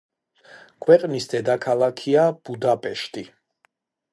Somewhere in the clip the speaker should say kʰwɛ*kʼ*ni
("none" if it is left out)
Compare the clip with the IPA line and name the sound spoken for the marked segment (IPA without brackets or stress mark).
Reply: qʼ